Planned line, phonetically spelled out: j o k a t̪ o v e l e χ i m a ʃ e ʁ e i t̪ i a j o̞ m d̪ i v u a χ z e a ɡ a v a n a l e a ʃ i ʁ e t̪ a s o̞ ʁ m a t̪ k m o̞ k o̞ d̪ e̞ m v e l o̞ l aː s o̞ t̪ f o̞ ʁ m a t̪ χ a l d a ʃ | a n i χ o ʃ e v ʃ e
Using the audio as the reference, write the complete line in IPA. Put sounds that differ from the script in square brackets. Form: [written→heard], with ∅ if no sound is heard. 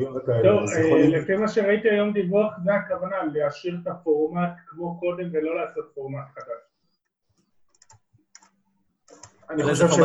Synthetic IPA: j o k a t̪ o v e l e [χ→f] i m a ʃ e ʁ [e→a] i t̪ i a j o̞ m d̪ i v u a χ z e a [ɡ→k] a v a n a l e a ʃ i ʁ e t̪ a [s→f] o̞ ʁ m a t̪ k m o̞ k o̞ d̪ e̞ m v e l o̞ l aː s o̞ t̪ f o̞ ʁ m a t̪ χ a [l→∅] d a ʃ | a n i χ o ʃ e v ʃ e